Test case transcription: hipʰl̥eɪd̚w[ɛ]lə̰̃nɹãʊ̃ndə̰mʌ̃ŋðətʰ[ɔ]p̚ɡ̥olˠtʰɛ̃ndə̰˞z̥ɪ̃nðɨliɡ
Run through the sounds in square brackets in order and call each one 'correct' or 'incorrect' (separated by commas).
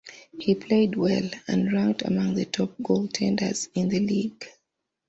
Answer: correct, correct